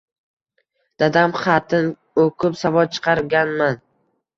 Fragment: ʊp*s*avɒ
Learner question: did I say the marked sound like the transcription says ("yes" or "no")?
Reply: yes